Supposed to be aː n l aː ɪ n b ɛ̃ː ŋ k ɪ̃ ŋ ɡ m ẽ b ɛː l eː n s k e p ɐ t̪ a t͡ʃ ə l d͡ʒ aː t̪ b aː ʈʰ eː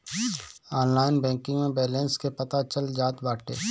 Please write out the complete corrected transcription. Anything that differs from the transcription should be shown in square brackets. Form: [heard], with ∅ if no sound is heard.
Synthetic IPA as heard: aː n l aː ɪ n b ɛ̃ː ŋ k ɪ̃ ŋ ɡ m ẽ b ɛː l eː n s k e p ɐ t̪ a t͡ʃ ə l d͡ʒ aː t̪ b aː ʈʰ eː